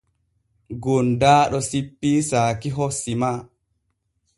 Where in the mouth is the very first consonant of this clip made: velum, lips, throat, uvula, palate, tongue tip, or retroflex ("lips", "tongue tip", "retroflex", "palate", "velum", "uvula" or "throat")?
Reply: velum